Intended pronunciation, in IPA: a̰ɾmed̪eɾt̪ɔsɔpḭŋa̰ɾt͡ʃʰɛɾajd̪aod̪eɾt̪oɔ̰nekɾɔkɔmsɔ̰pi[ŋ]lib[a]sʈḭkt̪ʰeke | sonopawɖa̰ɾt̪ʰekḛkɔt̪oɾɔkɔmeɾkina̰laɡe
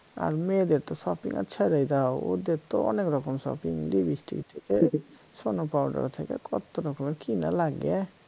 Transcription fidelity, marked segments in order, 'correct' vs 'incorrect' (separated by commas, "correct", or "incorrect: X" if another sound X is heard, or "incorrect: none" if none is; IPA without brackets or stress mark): correct, incorrect: i